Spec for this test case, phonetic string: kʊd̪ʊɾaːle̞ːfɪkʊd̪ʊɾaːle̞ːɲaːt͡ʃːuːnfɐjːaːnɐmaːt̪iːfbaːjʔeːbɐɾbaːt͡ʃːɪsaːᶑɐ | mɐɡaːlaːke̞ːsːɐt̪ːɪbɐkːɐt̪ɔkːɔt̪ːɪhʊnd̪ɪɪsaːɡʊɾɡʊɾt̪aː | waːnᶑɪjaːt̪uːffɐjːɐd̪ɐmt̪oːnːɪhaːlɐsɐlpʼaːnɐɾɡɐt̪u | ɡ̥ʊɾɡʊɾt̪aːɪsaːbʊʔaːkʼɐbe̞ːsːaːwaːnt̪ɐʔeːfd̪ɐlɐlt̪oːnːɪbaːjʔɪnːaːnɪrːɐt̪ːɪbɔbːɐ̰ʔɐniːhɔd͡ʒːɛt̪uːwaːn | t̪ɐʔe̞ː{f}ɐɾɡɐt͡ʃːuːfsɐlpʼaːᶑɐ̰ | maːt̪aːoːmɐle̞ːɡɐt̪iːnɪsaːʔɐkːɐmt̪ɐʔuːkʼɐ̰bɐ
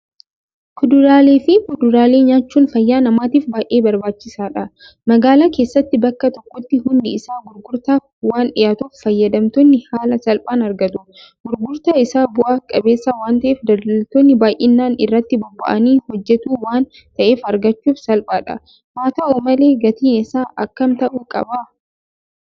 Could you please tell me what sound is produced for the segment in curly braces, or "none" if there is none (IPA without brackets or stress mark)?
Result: f